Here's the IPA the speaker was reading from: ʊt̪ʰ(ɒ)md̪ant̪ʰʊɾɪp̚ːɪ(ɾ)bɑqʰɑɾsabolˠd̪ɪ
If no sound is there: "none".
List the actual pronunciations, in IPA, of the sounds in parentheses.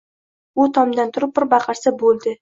ɒ, ɾ

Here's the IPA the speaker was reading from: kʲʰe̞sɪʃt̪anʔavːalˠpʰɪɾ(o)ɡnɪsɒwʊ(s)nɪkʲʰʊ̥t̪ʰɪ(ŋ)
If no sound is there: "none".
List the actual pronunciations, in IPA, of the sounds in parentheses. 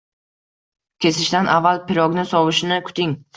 ɒ, ʃ, ŋ

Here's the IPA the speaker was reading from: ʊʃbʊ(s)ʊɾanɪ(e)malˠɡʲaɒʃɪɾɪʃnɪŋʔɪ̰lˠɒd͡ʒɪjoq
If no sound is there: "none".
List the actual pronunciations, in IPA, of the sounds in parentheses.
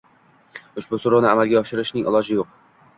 s, a

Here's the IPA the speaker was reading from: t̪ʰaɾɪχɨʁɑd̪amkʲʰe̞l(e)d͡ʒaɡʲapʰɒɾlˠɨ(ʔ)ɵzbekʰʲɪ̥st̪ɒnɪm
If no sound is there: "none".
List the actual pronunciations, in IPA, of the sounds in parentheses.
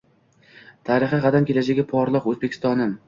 a, q

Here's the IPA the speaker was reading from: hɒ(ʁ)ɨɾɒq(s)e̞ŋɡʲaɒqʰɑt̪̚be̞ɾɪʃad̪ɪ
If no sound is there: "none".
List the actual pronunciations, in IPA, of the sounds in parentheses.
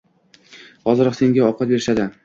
z, s

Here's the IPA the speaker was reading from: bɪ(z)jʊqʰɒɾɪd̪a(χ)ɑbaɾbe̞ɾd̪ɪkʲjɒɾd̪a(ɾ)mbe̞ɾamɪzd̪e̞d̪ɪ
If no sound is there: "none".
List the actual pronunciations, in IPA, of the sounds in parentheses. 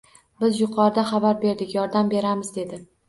z, χ, none

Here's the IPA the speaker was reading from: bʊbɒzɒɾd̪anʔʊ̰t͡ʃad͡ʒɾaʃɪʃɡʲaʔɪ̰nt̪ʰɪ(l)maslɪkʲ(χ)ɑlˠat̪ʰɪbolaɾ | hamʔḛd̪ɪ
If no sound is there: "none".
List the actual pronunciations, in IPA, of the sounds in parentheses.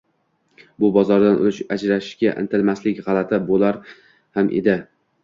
l, ʁ

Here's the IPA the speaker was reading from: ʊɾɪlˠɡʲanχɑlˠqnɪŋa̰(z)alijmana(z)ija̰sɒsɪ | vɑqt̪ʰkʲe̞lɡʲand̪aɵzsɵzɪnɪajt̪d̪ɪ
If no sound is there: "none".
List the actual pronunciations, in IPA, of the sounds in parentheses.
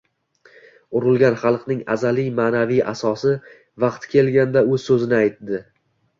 z, v

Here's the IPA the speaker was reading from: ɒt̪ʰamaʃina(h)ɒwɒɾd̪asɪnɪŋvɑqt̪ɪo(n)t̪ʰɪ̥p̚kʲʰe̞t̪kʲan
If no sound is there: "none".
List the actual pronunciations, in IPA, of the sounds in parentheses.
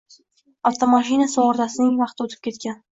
s, none

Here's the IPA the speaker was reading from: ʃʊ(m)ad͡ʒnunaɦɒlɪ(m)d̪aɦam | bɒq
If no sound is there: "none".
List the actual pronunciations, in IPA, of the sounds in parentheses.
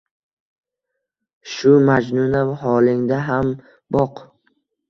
m, ŋ

